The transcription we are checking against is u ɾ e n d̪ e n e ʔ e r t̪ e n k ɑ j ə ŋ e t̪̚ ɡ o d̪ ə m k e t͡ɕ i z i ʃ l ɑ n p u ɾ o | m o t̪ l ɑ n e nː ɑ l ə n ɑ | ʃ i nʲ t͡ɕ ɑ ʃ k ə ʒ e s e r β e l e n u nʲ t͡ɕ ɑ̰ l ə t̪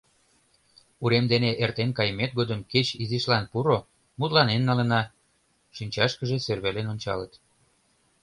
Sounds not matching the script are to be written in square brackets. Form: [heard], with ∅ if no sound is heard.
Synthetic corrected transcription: u ɾ e [m] d̪ e n e ʔ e r t̪ e n k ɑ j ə [m] e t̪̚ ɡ o d̪ ə m k e t͡ɕ i z i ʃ l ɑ n p u ɾ o | m [u] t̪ l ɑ n e nː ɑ l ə n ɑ | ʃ i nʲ t͡ɕ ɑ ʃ k ə ʒ e s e r β e l e n [o] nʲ t͡ɕ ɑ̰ l ə t̪